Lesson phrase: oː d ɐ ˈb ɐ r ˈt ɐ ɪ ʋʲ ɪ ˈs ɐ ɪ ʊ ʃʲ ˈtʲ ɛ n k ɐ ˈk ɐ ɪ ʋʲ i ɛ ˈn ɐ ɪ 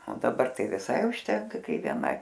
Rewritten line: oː d ɐ ˈb ɐ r ˈt ɐ ɪ ʋʲ ɪ ˈs ɐ ɪ ʊ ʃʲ ˈtʲ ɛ ŋ k ɐ ˈk ɐ ɪ ʋʲ i ɛ ˈn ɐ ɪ